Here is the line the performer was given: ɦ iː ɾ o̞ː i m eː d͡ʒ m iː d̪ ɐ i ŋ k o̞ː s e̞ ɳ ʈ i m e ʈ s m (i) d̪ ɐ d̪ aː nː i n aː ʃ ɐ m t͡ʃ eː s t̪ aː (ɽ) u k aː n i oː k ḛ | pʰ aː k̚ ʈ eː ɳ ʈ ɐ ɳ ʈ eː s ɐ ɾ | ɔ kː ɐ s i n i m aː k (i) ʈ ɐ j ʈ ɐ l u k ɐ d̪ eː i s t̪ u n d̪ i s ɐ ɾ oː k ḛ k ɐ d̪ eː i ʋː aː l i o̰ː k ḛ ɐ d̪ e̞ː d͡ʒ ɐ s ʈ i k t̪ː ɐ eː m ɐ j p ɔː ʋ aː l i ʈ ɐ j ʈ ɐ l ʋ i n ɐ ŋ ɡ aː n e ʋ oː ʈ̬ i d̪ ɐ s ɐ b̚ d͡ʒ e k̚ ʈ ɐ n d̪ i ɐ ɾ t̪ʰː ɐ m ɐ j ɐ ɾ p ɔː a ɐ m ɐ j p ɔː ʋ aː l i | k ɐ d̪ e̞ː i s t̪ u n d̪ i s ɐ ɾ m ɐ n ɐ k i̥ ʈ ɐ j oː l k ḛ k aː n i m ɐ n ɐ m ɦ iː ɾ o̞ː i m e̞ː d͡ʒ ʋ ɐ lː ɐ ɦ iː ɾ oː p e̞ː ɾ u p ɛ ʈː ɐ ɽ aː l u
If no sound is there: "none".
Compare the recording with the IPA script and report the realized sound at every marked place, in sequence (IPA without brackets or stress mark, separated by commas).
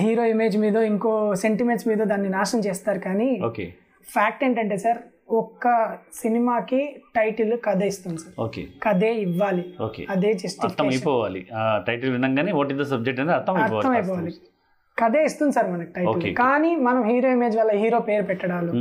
iː, ɾ, i